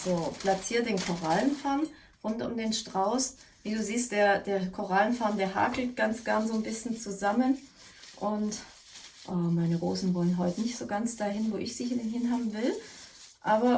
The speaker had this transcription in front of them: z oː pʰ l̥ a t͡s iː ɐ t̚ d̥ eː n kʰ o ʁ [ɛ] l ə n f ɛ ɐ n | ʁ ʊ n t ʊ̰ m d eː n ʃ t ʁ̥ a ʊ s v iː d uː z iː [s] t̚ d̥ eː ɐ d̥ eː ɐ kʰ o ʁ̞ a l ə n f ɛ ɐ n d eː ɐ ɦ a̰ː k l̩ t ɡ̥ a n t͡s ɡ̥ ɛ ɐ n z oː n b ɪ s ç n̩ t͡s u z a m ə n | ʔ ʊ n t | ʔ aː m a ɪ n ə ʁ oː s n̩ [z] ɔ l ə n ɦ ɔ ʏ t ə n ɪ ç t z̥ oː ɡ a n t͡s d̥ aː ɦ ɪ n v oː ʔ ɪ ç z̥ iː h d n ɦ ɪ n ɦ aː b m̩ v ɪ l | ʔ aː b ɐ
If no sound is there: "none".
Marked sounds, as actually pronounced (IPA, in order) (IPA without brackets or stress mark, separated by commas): a, s, v